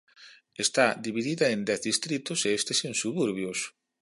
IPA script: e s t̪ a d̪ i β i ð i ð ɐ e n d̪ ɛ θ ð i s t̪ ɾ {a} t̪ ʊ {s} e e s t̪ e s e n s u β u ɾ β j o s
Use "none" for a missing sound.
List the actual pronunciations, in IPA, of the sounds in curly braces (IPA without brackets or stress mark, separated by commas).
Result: i, s